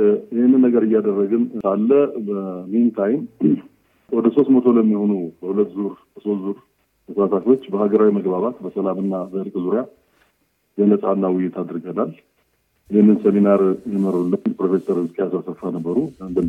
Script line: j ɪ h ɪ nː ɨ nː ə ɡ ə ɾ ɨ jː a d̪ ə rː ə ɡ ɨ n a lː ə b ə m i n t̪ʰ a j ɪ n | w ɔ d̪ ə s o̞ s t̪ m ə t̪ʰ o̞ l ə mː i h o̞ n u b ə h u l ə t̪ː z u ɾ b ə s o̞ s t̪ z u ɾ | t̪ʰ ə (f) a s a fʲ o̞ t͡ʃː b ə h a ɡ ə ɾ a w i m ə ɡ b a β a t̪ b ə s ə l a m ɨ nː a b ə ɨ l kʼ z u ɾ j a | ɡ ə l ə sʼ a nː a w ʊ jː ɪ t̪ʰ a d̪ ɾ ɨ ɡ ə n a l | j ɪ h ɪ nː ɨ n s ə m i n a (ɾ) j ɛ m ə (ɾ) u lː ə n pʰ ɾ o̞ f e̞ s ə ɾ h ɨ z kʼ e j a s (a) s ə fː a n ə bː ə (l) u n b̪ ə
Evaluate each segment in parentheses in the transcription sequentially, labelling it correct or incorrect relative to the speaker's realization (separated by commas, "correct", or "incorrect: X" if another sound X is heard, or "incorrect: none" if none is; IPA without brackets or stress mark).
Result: incorrect: s, correct, correct, correct, incorrect: ɾ